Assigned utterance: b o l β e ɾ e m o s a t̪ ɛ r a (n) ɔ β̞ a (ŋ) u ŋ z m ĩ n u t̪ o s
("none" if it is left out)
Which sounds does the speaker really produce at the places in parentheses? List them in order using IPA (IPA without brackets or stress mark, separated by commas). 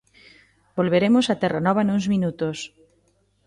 n, n